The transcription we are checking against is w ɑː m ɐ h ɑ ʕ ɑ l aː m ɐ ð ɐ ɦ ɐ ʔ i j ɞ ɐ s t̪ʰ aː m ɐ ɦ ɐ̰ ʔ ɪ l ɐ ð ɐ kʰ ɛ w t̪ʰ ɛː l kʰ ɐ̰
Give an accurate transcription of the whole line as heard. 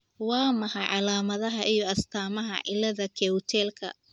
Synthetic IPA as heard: w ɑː m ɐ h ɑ ʕ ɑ l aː m ɐ ð ɐ ɦ ɐ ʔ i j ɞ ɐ s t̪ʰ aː m ɐ ɦ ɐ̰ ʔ ɪ l ɐ ð ɐ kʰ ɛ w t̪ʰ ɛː l kʰ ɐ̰